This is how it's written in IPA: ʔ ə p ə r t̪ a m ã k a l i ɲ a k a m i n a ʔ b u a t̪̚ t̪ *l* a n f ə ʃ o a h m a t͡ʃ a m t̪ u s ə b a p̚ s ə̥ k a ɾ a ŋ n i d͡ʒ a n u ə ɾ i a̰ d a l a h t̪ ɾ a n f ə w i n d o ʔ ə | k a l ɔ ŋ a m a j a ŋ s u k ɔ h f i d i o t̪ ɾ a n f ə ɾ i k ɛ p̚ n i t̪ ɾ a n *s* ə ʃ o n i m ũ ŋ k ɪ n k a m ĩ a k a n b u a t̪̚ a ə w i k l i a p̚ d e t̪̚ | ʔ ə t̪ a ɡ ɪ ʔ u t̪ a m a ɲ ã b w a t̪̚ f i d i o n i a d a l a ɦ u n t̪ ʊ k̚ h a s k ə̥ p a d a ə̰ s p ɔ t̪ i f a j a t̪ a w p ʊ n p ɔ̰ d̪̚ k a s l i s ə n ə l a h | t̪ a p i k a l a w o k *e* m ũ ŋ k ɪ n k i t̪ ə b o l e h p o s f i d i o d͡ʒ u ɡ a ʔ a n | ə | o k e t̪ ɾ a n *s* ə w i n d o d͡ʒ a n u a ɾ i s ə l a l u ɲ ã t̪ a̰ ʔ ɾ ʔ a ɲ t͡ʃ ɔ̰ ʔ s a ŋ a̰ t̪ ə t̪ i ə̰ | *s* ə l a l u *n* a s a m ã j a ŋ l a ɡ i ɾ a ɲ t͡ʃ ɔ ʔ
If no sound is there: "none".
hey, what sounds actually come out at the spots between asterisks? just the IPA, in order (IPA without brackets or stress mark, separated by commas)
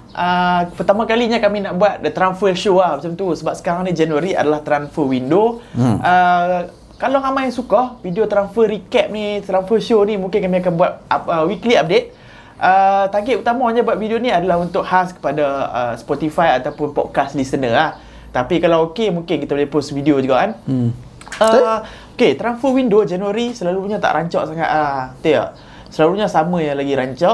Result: ɾ, f, e, f, s, ɲ